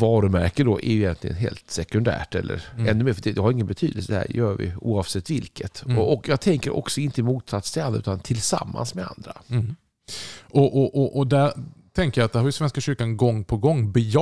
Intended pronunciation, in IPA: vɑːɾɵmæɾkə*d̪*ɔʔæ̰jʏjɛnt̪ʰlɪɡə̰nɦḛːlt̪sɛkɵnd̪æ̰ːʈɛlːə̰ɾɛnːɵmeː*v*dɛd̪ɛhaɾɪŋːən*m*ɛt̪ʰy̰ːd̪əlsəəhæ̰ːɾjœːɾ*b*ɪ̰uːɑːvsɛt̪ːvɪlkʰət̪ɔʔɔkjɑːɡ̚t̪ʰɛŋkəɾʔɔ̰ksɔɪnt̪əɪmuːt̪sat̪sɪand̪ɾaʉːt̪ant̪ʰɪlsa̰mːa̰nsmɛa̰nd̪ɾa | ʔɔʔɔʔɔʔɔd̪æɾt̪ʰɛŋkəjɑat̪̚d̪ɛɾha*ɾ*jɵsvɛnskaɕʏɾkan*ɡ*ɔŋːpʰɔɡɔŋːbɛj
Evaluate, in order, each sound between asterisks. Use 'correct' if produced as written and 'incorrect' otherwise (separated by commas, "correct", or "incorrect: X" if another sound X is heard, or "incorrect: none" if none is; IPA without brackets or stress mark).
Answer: correct, incorrect: f, incorrect: b, incorrect: v, correct, correct